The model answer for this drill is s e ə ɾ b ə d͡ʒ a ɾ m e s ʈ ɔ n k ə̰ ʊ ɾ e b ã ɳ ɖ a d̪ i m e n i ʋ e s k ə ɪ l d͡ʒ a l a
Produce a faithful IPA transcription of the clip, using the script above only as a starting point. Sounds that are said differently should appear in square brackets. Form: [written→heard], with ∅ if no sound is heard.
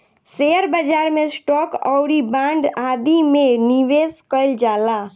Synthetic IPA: s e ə ɾ b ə d͡ʒ a ɾ m e s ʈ ɔ [n→∅] k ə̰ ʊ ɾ [e→i] b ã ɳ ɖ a d̪ i m e n i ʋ e s k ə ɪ l d͡ʒ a l a